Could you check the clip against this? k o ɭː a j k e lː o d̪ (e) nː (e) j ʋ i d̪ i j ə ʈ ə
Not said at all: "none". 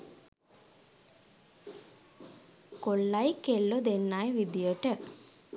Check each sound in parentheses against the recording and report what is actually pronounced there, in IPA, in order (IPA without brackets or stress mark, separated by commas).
e, a